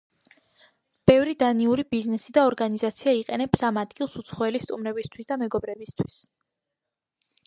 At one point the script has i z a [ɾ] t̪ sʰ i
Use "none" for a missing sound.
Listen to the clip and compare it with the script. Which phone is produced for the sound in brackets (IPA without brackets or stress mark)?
none